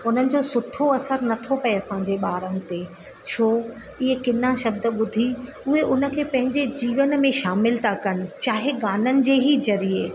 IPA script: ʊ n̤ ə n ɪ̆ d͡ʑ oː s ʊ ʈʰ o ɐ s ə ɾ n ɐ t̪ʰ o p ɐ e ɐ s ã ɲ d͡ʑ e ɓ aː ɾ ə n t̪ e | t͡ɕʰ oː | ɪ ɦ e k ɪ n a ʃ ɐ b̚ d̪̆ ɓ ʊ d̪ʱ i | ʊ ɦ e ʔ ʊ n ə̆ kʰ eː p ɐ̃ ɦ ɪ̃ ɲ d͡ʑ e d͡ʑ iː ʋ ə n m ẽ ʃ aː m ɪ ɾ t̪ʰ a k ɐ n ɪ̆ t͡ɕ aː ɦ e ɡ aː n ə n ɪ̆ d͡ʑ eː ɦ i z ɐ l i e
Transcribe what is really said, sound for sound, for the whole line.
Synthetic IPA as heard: ʊ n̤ ə n ɪ̆ d͡ʑ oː s ʊ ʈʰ o ɐ s ə ɾ n ɐ t̪ʰ o p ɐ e ɐ s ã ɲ d͡ʑ e ɓ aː ɾ ə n t̪ e | t͡ɕʰ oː | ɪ ɦ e k ɪ n a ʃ ɐ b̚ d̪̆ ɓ ʊ d̪ʱ i | ʊ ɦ e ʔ ʊ n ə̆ kʰ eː p ɐ̃ ɦ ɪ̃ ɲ d͡ʑ e d͡ʑ iː ʋ ə n m ẽ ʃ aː m ɪ l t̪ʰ a k ɐ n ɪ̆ t͡ɕ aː ɦ e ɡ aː n ə n ɪ̆ d͡ʑ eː ɦ i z ɐ ɾ i e